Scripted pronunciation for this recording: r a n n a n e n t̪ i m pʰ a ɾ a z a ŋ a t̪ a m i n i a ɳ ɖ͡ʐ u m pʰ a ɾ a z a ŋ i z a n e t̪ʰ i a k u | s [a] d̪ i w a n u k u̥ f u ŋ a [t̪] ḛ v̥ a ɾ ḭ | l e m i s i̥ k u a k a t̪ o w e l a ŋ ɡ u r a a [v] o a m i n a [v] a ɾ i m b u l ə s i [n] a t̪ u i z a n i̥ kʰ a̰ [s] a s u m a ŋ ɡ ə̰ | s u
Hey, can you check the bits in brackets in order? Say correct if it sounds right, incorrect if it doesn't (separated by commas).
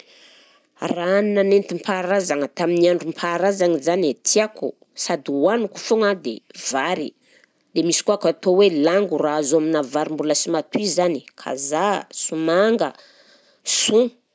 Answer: correct, incorrect, incorrect, correct, incorrect, incorrect